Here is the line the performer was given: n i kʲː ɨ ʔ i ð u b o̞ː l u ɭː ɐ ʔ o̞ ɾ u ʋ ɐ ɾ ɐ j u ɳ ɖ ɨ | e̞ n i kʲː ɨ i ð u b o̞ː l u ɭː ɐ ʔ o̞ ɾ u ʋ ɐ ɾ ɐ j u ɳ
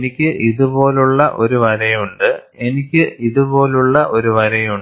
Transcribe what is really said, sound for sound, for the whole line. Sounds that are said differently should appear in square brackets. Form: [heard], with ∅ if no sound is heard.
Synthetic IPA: n i kʲː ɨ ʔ i ð u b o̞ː l u ɭː ɐ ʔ o̞ ɾ u ʋ ɐ ɾ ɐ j u ɳ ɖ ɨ | e̞ n i kʲː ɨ i ð u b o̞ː l u ɭː ɐ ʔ o̞ ɾ u ʋ ɐ ɾ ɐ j u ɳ